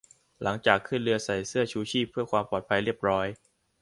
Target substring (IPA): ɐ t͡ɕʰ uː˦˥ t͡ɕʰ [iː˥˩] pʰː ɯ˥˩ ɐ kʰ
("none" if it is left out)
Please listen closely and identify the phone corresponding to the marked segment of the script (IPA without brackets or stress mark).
iː˥˩